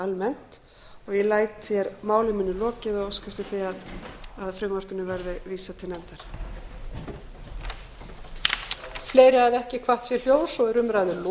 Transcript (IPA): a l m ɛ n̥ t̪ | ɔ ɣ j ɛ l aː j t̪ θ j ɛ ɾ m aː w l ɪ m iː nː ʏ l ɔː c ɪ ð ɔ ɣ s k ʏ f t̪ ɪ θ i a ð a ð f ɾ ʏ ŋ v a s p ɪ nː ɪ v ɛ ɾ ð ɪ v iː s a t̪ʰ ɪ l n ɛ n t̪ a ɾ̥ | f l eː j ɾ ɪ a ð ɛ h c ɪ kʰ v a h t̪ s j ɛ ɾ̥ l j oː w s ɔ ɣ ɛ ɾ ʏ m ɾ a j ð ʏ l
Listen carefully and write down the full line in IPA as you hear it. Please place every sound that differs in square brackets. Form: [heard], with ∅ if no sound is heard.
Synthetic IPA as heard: a l m ɛ n̥ t̪ | ɔ ɣ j ɛ l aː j t̪ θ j ɛ ɾ m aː w l ɪ m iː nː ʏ l ɔː c ɪ ð ɔ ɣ s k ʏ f t̪ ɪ θ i a ð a ð f ɾ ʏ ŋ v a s p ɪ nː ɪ v ɛ ɾ ð ɪ v iː s a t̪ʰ ɪ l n ɛ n t̪ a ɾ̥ | f l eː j ɾ ɪ a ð ɛ h c ɪ kʰ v a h t̪ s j ɛ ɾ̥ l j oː w s ɔ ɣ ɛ ɾ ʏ m ɾ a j ð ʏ l